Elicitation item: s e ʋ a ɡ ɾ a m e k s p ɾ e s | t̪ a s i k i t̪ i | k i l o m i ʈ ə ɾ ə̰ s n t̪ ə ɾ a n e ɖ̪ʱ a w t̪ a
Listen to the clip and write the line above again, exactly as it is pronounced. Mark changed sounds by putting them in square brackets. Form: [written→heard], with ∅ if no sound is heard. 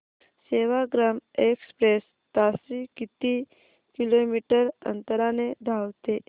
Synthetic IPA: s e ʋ a ɡ ɾ a m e k s p ɾ e s | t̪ a s i k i t̪ i | k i l o m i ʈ ə ɾ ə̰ [s→∅] n t̪ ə ɾ a n e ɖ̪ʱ a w t̪ [a→e]